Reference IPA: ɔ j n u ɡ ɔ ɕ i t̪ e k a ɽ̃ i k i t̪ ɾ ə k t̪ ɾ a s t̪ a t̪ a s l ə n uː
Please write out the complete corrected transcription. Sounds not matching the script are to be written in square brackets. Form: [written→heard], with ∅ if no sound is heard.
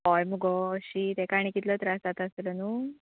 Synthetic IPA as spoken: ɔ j [n→m] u ɡ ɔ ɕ i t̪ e k a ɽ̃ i k i t̪ [ɾ→l] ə [k→∅] t̪ ɾ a s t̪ a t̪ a s l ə n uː